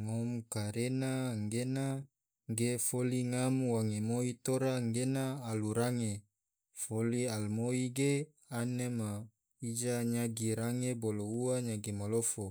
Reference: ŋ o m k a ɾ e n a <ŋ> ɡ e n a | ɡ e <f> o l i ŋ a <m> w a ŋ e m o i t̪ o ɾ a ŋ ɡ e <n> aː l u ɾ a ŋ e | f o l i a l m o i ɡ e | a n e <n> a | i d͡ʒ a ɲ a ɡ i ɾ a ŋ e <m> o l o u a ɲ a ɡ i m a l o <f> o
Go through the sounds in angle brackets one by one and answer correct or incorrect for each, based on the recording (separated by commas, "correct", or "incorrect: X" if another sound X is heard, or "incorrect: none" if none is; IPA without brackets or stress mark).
correct, correct, correct, correct, incorrect: m, incorrect: b, correct